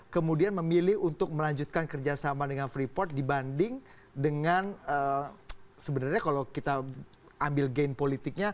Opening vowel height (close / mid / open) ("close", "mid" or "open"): mid